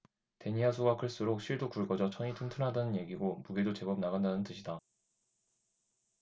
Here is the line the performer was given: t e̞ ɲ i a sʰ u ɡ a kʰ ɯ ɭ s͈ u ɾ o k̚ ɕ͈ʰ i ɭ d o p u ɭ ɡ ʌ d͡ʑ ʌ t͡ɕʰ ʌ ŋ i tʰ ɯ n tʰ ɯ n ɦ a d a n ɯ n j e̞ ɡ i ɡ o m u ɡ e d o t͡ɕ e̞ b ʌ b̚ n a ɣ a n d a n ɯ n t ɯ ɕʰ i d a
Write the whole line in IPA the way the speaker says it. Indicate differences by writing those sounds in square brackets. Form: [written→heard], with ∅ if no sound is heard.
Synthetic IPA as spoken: t e̞ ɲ i a sʰ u ɡ a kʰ ɯ ɭ s͈ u ɾ o k̚ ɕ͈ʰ i ɭ d o [p→k] u ɭ ɡ ʌ d͡ʑ ʌ t͡ɕʰ ʌ ŋ i tʰ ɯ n tʰ ɯ n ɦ a d a n ɯ n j e̞ ɡ i ɡ o m u ɡ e d o t͡ɕ e̞ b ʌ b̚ n a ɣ a n d a n ɯ n t ɯ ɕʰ i d a